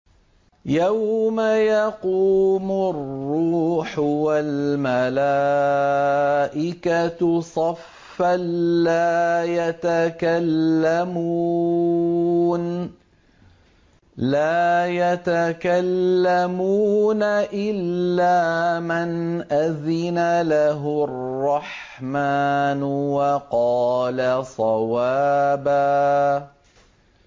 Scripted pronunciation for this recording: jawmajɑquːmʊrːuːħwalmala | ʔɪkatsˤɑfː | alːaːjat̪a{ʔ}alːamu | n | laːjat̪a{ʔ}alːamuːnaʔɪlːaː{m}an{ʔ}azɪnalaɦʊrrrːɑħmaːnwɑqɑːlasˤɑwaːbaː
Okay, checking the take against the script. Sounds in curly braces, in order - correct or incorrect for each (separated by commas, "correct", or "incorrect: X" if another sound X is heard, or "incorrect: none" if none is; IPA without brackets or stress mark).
incorrect: k, incorrect: k, correct, correct